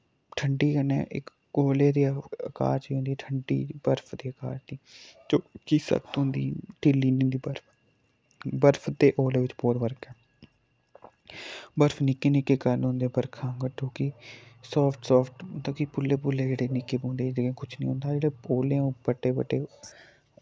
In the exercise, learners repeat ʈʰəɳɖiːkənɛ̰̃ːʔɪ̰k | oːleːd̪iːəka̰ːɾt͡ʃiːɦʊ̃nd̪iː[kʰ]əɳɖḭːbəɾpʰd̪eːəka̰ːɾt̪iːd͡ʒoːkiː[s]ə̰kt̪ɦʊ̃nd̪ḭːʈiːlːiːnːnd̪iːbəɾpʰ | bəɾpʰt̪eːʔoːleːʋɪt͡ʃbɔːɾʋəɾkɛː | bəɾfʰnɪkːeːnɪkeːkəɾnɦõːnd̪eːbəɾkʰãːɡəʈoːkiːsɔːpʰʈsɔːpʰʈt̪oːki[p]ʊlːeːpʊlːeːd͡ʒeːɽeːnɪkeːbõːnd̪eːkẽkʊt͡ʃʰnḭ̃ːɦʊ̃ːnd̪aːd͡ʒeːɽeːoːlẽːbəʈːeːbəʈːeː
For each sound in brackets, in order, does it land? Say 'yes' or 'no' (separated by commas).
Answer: no, yes, yes